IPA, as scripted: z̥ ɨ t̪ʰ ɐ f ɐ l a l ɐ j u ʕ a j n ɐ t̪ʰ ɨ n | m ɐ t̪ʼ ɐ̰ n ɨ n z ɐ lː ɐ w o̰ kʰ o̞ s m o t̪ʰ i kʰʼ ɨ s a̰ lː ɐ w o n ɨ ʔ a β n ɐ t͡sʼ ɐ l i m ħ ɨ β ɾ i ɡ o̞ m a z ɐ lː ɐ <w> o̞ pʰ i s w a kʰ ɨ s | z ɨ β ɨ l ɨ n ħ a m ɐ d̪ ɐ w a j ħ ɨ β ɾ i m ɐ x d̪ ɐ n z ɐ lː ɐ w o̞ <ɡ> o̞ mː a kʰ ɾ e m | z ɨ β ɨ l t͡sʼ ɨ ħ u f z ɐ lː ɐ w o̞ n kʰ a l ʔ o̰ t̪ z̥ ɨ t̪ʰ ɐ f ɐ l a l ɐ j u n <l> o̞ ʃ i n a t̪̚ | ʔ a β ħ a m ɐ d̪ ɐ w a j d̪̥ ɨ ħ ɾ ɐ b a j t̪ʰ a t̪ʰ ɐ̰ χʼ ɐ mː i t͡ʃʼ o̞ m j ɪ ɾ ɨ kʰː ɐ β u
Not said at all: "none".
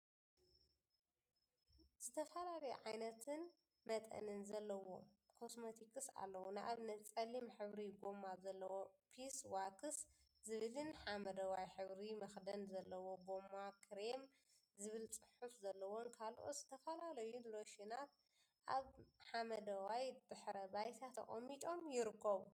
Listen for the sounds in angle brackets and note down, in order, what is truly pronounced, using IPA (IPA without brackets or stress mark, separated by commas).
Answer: w, ɡ, l